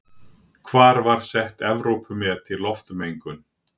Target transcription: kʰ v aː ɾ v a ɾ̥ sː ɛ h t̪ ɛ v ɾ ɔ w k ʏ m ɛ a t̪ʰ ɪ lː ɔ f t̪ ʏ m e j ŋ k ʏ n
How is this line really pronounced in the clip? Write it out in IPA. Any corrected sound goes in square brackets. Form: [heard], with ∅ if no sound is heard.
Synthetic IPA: kʰ v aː ɾ v a ɾ̥ [s] ɛ h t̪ ɛ v ɾ [o] w [p] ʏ m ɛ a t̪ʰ ɪ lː ɔ f t̪ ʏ m e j ŋ k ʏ n